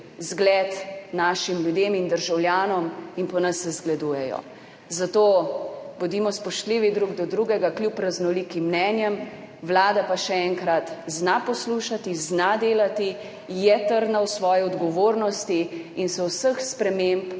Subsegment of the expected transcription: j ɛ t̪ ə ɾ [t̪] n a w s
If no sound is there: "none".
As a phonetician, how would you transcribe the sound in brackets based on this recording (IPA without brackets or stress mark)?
d̪